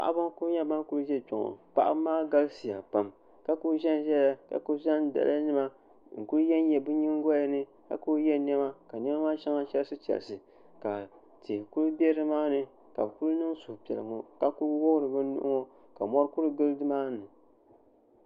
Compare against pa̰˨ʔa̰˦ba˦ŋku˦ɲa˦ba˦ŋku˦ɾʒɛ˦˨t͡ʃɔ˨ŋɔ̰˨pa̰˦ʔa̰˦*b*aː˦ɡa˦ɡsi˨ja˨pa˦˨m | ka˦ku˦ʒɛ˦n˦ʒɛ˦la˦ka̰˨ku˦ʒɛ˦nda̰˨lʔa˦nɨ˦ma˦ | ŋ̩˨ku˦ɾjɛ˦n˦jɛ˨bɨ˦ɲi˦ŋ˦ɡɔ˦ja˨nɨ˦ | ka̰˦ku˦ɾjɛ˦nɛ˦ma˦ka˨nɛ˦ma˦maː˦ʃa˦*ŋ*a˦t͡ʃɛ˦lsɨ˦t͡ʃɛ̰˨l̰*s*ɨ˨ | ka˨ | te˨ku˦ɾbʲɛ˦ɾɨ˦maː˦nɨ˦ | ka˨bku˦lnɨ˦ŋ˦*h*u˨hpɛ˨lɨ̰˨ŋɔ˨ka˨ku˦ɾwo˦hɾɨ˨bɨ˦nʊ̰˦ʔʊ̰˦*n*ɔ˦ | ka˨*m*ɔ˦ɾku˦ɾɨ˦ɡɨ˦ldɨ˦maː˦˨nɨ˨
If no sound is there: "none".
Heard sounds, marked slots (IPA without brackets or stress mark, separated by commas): m, ŋ, s, s, ŋ, m